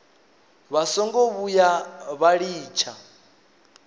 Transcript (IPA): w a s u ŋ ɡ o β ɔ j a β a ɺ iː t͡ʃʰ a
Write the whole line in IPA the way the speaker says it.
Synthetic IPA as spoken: β a s ɔ ŋ ɡ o β u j a β a ɺ iː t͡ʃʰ a